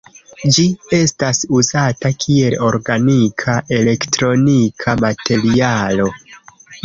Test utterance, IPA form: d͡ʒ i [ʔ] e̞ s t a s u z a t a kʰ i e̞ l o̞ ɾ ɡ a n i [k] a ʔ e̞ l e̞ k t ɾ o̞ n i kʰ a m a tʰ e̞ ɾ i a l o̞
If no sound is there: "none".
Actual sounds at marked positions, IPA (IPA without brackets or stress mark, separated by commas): none, kʰ